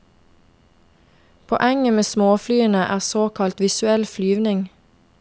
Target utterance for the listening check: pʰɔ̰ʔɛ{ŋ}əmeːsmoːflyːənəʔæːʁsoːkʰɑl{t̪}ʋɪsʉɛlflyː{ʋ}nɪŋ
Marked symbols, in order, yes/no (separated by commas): yes, yes, yes